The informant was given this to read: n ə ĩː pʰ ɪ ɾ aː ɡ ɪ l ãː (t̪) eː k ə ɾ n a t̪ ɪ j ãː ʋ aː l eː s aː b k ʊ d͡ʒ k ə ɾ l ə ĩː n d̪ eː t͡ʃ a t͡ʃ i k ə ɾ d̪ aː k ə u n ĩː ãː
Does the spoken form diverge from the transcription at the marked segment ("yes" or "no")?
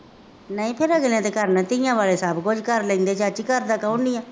no